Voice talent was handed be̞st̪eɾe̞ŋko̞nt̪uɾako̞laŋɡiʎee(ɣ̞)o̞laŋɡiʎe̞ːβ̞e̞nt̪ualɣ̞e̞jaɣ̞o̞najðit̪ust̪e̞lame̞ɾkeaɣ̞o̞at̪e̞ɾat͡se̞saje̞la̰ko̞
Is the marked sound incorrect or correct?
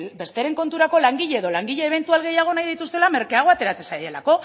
incorrect